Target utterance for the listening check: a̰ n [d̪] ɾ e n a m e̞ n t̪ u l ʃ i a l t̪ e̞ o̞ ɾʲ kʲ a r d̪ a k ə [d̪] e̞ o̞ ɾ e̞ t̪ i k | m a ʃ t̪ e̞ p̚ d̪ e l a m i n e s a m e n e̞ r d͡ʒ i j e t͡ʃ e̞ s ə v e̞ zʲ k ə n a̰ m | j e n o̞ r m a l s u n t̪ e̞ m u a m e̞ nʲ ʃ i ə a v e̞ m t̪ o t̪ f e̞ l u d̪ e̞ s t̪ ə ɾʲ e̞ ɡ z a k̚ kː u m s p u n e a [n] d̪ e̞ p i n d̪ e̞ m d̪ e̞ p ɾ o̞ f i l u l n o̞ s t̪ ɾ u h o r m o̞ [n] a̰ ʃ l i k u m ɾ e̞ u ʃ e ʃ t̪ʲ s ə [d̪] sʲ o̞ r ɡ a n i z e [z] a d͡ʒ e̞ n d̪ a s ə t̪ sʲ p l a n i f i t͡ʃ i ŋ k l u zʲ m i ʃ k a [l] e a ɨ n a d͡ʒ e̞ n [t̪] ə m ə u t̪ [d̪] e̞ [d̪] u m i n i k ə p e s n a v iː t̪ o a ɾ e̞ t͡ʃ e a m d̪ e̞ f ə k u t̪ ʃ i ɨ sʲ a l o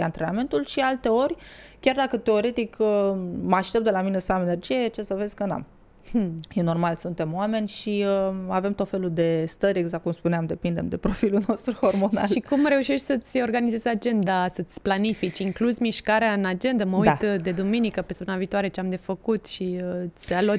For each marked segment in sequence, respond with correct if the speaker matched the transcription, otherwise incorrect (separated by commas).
incorrect, incorrect, incorrect, correct, incorrect, correct, incorrect, incorrect, correct, correct